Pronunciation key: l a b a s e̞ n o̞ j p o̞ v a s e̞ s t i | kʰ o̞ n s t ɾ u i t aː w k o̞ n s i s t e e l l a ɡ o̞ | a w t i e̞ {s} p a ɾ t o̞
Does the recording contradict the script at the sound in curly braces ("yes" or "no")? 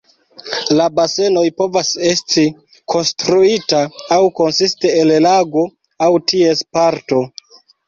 no